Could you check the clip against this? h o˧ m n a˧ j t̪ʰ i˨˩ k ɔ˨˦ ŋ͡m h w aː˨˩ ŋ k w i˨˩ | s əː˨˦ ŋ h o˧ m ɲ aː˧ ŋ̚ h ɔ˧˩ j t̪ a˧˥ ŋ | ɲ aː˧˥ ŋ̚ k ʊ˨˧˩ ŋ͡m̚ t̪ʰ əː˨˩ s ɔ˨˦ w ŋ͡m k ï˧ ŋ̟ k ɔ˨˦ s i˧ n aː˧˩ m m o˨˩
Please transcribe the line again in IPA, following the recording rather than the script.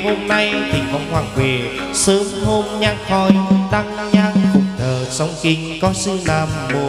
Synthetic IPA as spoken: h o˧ m n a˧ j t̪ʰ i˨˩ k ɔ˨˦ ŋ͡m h w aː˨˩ ŋ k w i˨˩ | s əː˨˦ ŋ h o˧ m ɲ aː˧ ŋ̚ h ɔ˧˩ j t̪ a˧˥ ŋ | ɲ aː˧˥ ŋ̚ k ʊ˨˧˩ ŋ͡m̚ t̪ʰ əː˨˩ s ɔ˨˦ w ŋ͡m k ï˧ ŋ̟ k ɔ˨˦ s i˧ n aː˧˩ m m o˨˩

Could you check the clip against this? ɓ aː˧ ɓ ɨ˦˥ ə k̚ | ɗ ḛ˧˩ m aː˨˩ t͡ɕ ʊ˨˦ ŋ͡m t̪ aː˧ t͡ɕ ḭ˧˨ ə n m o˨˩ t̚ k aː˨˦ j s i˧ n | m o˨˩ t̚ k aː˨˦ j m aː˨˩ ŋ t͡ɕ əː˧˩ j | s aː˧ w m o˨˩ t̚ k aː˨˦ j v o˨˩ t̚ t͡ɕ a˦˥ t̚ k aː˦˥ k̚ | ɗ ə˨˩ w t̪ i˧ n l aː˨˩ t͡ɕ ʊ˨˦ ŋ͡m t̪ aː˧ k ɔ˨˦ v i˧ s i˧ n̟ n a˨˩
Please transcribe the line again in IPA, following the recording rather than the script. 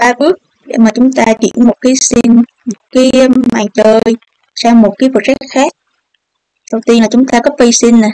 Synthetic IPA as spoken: ɓ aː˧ ɓ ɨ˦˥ ə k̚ | ɗ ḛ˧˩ m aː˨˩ t͡ɕ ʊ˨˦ ŋ͡m t̪ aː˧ t͡ɕ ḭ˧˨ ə n m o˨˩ t̚ k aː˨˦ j s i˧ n | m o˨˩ t̚ k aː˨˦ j m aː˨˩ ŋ t͡ɕ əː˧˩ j | s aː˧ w m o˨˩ t̚ k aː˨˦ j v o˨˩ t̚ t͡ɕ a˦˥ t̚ x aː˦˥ k̚ | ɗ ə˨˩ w t̪ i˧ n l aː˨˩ t͡ɕ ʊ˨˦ ŋ͡m t̪ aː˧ k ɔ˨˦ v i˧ s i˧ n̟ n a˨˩

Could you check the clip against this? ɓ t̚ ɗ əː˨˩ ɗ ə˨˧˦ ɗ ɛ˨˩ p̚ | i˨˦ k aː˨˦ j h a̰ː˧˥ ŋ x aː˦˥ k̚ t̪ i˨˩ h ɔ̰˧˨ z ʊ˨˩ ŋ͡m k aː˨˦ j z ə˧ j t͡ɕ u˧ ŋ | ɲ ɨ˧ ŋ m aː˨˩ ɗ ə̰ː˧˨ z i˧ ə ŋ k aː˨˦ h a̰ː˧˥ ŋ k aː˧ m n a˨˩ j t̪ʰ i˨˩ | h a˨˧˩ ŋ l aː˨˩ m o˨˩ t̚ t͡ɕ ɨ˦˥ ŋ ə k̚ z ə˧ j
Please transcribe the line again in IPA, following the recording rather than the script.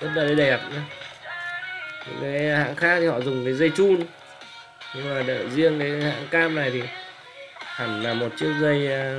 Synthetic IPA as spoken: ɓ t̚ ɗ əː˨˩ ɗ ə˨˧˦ ɗ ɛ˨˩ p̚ | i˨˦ k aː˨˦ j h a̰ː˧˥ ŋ x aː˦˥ k̚ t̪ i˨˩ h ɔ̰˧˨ z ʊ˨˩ ŋ͡m k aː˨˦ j z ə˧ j t͡ɕ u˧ n | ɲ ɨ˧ ŋ m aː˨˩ ɗ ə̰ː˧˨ z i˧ ə ŋ k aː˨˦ h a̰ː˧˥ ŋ k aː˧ m n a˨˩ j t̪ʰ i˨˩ | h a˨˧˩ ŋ l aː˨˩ m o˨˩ t̚ t͡ɕ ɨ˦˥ ə k̚ z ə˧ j

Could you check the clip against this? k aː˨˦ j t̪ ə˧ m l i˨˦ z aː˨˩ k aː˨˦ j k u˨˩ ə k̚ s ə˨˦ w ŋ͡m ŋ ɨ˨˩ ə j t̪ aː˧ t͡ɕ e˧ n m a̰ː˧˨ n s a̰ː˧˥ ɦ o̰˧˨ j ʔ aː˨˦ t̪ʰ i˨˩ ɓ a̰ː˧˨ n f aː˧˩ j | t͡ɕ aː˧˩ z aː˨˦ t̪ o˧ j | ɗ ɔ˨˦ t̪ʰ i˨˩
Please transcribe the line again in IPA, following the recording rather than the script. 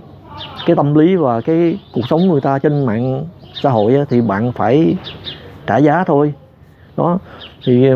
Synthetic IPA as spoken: k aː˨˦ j t̪ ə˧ m l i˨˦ v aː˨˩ k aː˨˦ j k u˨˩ ə k̚ s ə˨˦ w ŋ͡m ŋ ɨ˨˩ ə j t̪ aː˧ t͡ɕ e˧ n m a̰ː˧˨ n s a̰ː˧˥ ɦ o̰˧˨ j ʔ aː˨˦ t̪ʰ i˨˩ ɓ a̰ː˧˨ n f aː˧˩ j | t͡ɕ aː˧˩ z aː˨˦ t̪ʰ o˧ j | ɗ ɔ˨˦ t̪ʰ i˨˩

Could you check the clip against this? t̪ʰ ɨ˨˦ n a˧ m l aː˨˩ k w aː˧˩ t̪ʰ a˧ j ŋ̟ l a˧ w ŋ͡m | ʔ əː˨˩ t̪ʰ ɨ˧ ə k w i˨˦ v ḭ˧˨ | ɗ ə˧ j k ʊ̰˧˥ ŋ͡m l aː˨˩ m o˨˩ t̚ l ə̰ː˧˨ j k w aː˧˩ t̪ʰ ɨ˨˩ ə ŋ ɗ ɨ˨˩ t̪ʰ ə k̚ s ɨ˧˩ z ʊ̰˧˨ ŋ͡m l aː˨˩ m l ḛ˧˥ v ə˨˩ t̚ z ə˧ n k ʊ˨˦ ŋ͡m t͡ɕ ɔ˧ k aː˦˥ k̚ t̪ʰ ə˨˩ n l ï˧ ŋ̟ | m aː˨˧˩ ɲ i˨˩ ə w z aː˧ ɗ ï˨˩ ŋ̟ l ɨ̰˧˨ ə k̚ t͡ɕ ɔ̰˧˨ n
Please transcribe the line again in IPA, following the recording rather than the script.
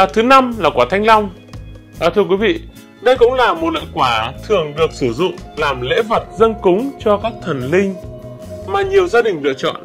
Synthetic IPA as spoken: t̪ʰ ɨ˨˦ n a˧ m l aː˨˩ k w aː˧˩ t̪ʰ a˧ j ŋ̟ l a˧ w ŋ͡m | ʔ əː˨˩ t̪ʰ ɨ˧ ə k w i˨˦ v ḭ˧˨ | ɗ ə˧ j k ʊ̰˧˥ ŋ͡m l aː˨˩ m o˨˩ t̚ l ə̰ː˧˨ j k w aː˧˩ t̪ʰ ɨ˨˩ ə ŋ ɗ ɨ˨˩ ə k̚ s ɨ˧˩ z ʊ̰˧˨ ŋ͡m l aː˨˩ m l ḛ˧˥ v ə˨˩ t̚ z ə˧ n k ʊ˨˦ ŋ͡m t͡ɕ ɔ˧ k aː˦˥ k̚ t̪ʰ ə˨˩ n l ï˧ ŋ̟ | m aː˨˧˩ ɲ i˨˩ ə w z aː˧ ɗ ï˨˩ ŋ̟ l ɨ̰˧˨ ə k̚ t͡ɕ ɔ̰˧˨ n

